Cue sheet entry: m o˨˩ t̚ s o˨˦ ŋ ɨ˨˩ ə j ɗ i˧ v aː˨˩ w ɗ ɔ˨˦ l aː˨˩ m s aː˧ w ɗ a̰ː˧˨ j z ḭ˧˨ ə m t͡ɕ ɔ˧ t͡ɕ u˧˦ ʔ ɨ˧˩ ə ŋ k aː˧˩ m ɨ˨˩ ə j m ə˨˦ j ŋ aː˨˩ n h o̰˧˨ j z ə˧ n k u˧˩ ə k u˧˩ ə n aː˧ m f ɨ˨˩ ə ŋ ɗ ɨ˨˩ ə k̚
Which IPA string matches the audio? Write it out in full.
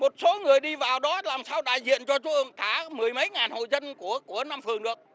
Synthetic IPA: m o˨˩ t̚ s o˨˦ ŋ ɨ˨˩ ə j ɗ i˧ v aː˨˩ w ɗ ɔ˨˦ l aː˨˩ m s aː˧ w ɗ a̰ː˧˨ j z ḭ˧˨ ə n t͡ɕ ɔ˧ t͡ɕ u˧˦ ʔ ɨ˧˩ ə ŋ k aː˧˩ m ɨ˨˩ ə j m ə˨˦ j ŋ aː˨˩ n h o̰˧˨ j z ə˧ n k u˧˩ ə k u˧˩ ə n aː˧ m f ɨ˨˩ ə ŋ ɗ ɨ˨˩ ə k̚